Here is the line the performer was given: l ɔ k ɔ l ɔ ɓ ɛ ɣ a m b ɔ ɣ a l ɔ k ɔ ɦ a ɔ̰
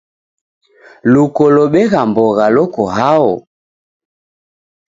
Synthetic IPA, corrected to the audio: l u k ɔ l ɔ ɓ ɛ ɣ a m b ɔ ɣ a l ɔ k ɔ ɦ a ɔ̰